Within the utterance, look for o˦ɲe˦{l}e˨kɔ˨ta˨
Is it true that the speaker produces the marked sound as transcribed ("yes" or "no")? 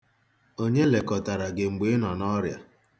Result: yes